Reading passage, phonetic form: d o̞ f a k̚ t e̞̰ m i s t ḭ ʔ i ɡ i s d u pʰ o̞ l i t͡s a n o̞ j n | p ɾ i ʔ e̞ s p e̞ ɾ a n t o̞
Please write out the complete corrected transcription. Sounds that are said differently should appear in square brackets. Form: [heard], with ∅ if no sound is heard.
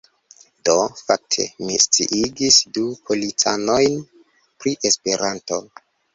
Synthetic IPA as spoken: d o̞ f a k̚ [tʰ] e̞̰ m i s [t͡s] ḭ ʔ i ɡ i s d u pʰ o̞ l i t͡s a n o̞ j n | p ɾ i ʔ e̞ s p e̞ ɾ a n t o̞